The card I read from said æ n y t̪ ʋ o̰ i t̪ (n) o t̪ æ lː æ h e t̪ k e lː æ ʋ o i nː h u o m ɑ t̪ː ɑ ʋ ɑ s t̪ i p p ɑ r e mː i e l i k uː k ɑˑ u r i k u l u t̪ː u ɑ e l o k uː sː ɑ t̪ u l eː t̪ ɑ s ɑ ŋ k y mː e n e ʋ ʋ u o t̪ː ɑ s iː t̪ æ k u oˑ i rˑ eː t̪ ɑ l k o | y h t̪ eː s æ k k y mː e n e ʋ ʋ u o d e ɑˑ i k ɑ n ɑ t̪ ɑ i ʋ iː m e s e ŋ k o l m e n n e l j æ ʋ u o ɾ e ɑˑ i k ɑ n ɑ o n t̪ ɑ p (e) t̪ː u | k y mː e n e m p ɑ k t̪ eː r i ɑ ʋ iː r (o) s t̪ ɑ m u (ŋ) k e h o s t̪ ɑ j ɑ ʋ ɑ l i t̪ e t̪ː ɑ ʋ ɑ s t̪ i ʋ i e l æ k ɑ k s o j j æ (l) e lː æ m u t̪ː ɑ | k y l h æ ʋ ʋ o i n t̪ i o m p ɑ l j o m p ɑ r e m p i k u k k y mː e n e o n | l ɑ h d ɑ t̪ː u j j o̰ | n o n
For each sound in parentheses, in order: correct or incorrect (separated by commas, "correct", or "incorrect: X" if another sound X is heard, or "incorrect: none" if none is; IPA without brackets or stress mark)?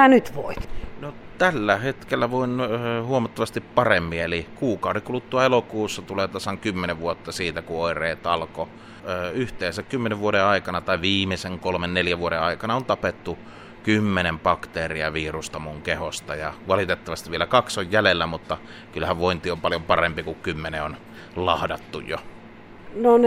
correct, correct, incorrect: u, correct, correct